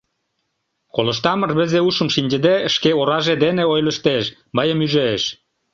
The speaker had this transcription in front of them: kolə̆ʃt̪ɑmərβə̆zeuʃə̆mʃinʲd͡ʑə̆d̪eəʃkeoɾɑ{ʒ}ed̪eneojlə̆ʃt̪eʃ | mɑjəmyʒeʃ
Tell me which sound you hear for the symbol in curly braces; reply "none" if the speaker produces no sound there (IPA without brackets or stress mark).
ʒ